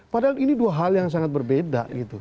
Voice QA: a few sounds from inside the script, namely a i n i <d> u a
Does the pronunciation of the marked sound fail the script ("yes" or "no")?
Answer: no